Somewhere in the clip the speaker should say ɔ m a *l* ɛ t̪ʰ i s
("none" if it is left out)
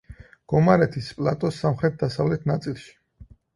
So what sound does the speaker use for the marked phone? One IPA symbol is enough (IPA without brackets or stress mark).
ɾ